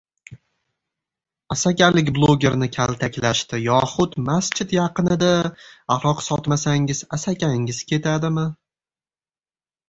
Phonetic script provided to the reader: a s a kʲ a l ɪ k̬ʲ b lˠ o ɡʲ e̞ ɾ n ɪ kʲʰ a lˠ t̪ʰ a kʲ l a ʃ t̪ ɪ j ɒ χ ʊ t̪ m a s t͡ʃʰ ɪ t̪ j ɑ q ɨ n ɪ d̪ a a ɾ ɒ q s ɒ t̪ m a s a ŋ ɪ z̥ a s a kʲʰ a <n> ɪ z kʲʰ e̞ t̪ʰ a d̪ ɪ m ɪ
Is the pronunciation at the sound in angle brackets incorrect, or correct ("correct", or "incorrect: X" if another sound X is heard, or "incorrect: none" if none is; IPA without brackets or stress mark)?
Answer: incorrect: ŋ